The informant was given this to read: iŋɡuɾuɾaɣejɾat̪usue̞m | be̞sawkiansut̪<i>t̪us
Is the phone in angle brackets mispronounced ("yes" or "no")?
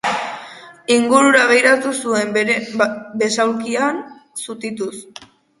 no